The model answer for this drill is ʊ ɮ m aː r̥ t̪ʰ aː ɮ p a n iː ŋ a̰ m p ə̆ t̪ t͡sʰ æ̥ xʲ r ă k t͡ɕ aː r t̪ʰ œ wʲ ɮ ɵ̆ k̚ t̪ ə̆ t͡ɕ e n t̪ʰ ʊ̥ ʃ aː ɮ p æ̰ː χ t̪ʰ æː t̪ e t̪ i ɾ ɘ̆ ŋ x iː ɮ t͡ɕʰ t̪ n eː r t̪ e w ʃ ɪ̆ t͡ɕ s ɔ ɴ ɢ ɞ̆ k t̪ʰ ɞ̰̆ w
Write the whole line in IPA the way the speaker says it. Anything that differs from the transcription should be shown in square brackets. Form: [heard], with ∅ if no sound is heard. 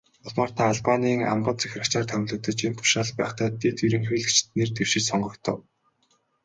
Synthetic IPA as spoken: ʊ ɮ m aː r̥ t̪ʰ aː ɮ p a n iː ŋ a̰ m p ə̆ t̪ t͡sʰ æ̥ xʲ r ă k t͡ɕ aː r t̪ʰ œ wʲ ɮ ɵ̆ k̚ t̪ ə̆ t͡ɕ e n t̪ʰ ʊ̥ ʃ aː ɮ p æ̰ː χ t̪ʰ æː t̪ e t̪ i ɾ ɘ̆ ŋ x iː ɮ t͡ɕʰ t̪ n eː r t̪ e w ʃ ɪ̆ t͡ɕ s ɔ ɴ ɢ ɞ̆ k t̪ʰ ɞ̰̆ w